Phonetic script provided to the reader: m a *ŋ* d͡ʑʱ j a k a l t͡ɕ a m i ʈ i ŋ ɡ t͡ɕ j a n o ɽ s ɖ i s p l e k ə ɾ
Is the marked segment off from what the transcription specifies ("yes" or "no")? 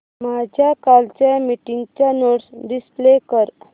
yes